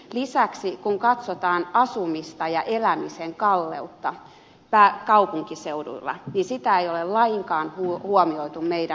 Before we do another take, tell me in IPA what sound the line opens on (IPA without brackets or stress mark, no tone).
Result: l